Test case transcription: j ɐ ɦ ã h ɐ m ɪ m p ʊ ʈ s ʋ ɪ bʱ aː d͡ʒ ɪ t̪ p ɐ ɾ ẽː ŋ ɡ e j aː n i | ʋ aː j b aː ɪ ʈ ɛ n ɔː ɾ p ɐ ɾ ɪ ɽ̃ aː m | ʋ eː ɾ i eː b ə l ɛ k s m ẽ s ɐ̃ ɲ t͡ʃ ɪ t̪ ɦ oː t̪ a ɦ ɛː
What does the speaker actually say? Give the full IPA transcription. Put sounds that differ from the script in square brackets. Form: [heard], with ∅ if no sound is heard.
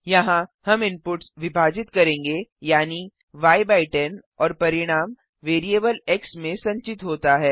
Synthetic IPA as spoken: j ɐ ɦ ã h ɐ m ɪ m p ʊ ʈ s ʋ ɪ bʱ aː d͡ʒ ɪ t̪ [k] ɐ ɾ ẽː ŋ ɡ e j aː n i | ʋ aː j b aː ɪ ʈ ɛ n ɔː ɾ p ɐ ɾ ɪ ɽ̃ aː m | ʋ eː ɾ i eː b ə l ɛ k s m ẽ s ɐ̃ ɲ t͡ʃ ɪ t̪ ɦ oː t̪ a ɦ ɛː